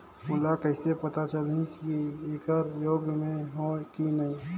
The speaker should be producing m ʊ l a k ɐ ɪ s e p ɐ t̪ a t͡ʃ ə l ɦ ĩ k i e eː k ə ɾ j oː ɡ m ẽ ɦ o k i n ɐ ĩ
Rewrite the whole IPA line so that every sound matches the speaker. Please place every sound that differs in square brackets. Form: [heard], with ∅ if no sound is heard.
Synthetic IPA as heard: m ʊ l a k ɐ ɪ s e p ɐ t̪ a t͡ʃ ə l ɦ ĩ k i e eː k ə ɾ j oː ɡ m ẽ ɦ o k i n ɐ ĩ